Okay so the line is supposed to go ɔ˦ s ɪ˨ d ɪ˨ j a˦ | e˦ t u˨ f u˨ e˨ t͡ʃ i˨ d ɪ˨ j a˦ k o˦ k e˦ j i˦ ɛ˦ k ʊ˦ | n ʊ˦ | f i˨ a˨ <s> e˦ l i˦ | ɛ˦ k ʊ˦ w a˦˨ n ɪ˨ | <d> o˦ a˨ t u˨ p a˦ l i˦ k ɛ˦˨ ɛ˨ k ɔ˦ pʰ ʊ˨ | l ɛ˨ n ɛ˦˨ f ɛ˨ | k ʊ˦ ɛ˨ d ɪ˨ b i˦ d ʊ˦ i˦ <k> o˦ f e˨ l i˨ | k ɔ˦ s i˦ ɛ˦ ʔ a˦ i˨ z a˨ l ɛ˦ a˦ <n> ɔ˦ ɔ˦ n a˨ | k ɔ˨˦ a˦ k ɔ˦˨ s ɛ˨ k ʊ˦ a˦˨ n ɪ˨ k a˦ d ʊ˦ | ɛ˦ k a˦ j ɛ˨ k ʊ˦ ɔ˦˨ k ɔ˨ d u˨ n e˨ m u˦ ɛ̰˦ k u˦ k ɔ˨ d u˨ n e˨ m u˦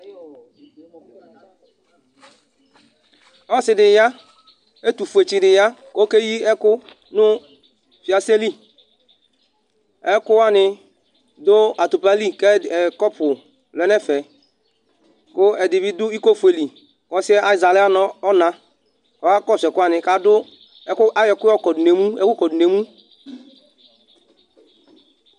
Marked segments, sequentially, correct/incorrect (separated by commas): correct, correct, correct, correct